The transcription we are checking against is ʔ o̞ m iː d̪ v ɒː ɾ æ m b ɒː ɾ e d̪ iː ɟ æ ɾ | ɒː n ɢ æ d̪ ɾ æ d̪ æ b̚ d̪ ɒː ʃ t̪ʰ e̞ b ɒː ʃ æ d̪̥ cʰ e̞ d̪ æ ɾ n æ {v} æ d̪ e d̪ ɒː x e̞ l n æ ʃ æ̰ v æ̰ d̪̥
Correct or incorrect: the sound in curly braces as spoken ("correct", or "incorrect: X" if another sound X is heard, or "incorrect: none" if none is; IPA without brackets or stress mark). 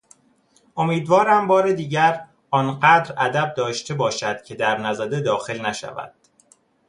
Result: incorrect: z